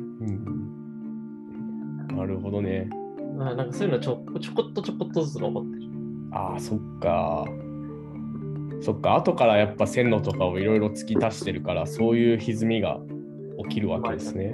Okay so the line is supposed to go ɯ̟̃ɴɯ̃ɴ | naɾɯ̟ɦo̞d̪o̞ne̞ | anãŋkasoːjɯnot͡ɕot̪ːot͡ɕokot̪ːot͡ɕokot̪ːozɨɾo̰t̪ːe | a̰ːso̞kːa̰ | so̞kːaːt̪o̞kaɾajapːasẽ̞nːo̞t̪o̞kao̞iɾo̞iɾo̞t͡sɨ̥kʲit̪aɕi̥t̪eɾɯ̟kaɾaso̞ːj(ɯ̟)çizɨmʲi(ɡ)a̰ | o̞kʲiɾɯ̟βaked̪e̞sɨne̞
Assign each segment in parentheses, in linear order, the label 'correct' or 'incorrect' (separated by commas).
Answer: incorrect, correct